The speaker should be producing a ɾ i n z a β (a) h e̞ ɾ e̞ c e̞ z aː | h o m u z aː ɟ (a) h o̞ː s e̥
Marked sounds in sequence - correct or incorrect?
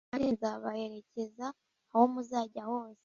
correct, correct

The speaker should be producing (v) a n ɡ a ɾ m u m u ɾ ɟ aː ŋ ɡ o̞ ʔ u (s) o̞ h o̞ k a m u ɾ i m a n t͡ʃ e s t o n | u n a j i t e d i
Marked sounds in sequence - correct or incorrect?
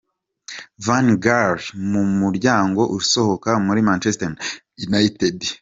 correct, correct

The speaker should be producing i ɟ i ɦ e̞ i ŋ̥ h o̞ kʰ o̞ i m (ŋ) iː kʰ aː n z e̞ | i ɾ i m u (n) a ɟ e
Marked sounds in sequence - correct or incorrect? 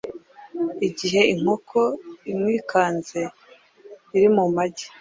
correct, incorrect

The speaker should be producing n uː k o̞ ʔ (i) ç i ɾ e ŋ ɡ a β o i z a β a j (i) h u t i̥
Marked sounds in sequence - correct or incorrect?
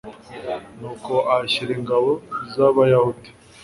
incorrect, incorrect

